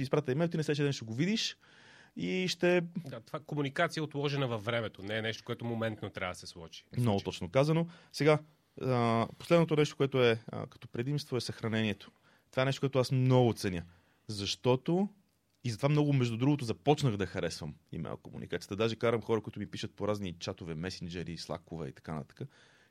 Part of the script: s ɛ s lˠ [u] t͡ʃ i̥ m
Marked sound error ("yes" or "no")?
yes